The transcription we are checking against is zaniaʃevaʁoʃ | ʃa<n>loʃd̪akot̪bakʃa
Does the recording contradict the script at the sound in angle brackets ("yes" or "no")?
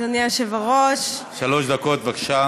yes